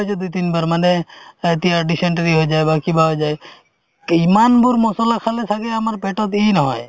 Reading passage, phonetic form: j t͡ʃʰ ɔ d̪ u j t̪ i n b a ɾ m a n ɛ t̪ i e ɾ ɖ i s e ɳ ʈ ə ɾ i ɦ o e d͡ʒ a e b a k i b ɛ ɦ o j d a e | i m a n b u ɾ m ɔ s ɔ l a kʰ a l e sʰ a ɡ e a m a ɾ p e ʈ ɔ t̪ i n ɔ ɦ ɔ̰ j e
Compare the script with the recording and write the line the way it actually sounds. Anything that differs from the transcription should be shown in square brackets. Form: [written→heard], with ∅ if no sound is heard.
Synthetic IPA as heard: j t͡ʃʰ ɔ d̪ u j t̪ i n b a ɾ m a n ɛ t̪ i [e→a] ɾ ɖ i s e ɳ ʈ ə ɾ i ɦ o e d͡ʒ a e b a k i b [ɛ→a] ɦ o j [d→d͡ʒ] a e | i m a n b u ɾ m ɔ s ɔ l a kʰ a l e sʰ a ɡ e a m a ɾ p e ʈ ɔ t̪ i n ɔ ɦ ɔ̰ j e